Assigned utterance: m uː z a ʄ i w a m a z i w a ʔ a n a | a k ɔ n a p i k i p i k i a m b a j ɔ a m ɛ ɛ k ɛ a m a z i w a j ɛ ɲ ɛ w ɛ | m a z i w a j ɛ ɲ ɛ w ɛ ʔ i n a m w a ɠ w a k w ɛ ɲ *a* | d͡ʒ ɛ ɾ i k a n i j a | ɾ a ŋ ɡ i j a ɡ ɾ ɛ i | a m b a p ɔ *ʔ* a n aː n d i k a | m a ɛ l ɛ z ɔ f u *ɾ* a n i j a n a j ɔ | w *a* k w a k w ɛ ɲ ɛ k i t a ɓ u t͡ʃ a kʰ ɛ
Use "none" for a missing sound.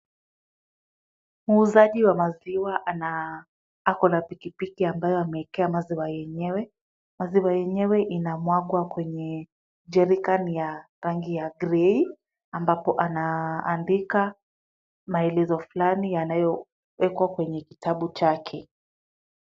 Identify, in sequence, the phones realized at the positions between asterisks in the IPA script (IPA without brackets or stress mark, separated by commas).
ɛ, ʔ, l, ɛ